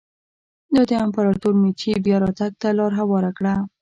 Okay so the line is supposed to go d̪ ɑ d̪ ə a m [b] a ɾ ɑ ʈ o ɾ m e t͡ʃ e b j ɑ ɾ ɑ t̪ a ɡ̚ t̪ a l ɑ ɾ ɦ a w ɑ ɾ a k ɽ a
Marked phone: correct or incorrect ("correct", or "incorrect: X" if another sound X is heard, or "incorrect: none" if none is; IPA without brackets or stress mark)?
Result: incorrect: p